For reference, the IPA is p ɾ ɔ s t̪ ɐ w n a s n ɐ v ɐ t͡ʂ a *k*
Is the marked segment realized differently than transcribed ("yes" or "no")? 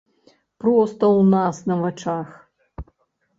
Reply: yes